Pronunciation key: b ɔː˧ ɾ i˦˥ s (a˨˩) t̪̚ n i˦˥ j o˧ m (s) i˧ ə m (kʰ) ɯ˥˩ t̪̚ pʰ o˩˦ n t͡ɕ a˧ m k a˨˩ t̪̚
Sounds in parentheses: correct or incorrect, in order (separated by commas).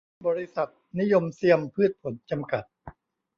correct, correct, incorrect